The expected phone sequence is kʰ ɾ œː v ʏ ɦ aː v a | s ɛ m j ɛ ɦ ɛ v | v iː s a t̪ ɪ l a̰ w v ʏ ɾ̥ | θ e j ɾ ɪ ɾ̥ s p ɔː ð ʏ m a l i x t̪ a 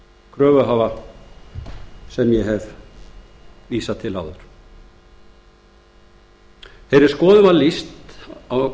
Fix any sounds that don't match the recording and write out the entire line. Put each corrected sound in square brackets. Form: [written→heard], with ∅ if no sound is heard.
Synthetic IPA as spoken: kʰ ɾ œː v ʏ ɦ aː v a | s ɛ m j ɛ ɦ ɛ v | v iː s a [t̪→t̪ʰ] ɪ l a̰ w [v→ð] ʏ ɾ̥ | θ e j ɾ ɪ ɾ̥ s [p→k] ɔː ð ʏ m a l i [x→s] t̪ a